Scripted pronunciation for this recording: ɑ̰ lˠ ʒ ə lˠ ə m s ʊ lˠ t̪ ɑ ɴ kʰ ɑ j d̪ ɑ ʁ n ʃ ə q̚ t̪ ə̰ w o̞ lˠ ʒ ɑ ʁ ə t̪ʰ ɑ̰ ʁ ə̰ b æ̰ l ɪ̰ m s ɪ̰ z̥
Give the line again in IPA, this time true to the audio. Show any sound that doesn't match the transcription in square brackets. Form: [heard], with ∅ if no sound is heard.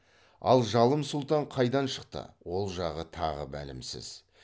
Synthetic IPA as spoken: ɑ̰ lˠ ʒ [ɑ] lˠ ə m s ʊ lˠ t̪ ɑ ɴ [qʰ] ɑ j d̪ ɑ [∅] n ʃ ə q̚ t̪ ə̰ w o̞ lˠ ʒ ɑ ʁ ə t̪ʰ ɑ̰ ʁ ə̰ b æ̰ l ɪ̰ m s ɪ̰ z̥

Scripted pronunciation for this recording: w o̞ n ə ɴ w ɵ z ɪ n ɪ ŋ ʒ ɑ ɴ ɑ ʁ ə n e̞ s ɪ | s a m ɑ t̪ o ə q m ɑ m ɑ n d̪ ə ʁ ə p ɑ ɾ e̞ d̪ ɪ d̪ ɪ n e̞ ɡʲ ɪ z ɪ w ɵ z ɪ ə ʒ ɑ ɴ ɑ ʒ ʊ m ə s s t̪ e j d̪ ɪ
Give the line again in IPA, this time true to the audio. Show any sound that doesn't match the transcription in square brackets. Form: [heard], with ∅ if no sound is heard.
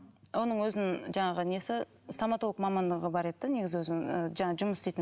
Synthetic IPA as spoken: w o̞ n ə ɴ w ɵ z ɪ n ɪ ŋ ʒ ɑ ɴ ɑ ʁ ə n e̞ s ɪ | s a m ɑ t̪ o ə q m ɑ m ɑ n d̪ ə ʁ ə [b] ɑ ɾ e̞ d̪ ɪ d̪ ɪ n e̞ ɡʲ ɪ z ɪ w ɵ z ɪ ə ʒ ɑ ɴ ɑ ʒ ʊ m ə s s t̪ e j [t̪] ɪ

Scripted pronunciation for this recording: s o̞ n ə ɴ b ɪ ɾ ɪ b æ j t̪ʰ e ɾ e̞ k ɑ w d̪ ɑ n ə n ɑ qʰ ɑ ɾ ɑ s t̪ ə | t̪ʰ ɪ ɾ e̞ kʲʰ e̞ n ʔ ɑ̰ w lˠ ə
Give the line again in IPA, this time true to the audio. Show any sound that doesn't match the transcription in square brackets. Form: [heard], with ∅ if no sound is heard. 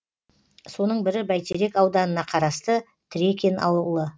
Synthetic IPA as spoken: s o̞ n ə ɴ b ɪ ɾ ɪ b æ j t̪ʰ e ɾ e̞ k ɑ w d̪ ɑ n ə n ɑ qʰ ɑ ɾ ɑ s t̪ ə | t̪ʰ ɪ ɾ e̞ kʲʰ e̞ n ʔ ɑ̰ w lˠ ə

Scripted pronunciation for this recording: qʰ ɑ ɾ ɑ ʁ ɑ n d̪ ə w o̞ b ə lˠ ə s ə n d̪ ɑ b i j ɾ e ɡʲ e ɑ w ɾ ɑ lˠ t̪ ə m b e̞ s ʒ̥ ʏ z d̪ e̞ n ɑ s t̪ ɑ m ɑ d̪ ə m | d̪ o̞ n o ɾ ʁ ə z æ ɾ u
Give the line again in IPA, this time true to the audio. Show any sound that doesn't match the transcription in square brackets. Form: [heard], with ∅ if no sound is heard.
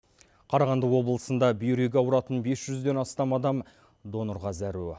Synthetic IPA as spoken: qʰ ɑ ɾ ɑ ʁ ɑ n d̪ ə w o̞ b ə lˠ ə s ə n d̪ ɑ b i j ɾ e ɡʲ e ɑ w ɾ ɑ [∅] t̪ ə [n] b e̞ s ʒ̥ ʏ z d̪ e̞ n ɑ s t̪ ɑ m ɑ d̪ [ɑ] m | d̪ o̞ n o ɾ ʁ [ɑ] z æ ɾ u

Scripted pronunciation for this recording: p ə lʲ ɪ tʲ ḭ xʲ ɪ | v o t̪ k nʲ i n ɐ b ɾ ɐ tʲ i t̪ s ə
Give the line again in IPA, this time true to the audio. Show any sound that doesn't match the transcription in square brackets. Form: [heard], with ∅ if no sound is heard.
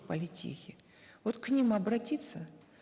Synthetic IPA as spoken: p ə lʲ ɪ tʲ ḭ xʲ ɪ | v o t̪ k nʲ i [m] ɐ b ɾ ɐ tʲ i t̪ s ə

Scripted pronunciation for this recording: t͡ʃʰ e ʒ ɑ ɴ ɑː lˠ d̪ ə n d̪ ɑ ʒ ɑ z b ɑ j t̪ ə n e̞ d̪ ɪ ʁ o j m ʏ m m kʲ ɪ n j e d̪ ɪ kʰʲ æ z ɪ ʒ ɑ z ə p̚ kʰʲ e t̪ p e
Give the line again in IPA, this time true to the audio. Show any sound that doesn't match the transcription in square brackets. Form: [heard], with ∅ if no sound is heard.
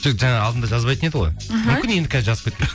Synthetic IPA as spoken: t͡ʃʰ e ʒ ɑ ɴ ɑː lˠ d̪ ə n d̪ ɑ ʒ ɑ z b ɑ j t̪ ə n e̞ d̪ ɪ ʁ o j m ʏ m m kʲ ɪ n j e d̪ ɪ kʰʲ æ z ɪ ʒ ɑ z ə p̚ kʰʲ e t̪ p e

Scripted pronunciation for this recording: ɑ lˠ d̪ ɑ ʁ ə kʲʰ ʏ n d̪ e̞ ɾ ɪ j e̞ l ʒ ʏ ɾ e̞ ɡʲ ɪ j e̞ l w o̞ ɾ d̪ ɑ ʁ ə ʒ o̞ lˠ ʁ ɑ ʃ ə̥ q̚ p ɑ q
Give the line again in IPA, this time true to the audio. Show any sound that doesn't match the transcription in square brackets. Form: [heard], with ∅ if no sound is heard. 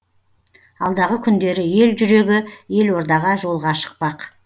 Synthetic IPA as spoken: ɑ lˠ d̪ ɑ ʁ ə kʲʰ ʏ n d̪ e̞ ɾ ɪ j e̞ l ʒ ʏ ɾ e̞ ɡʲ ɪ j e̞ l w o̞ ɾ d̪ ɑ ʁ [ɑ] ʒ o̞ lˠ ʁ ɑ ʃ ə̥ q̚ p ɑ q

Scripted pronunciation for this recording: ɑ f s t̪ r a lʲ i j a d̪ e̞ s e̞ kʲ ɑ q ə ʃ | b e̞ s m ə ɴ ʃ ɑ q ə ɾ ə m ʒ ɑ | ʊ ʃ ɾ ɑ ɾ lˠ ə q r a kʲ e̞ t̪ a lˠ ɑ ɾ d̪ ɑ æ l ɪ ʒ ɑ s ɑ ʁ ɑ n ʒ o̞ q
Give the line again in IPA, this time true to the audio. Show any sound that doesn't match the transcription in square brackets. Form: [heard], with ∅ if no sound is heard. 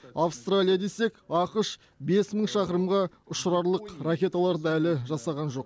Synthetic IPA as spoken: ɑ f s t̪ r a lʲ i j a d̪ e̞ s e̞ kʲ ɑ q ə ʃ | b e̞ s m ə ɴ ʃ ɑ q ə ɾ ə m [ʁ] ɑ | ʊ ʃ ɾ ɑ ɾ lˠ ə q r a kʲ e̞ t̪ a lˠ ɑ ɾ d̪ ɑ æ l ɪ ʒ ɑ s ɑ ʁ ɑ n ʒ o̞ q

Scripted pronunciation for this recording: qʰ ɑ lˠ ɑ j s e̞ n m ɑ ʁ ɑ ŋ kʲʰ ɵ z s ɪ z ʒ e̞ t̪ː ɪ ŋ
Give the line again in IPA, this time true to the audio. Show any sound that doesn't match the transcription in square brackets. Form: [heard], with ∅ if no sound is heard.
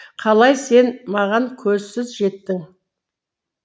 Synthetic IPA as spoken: qʰ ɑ lˠ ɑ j s e̞ n m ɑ ʁ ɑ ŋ kʲʰ ɵ z s ɪ z ʒ e̞ t̪ː ɪ ŋ

